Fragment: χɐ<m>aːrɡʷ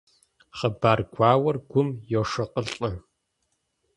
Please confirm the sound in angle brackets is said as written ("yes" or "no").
no